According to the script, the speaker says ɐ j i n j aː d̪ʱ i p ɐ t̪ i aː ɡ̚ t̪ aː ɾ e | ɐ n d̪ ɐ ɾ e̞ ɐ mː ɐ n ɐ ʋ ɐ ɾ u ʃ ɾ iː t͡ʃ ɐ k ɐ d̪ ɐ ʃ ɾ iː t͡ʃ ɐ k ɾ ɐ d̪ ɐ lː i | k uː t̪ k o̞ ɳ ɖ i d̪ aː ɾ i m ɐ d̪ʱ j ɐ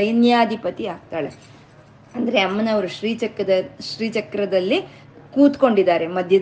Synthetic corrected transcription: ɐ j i n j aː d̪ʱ i p ɐ t̪ i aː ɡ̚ t̪ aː ɭ e | ɐ n d̪ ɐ ɾ e̞ ɐ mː ɐ n ɐ ʋ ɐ ɾ u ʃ ɾ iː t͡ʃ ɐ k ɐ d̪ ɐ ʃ ɾ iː t͡ʃ ɐ k ɾ ɐ d̪ ɐ lː i | k uː t̪ k o̞ ɳ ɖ i d̪ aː ɾ e m ɐ d̪ʱ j ɐ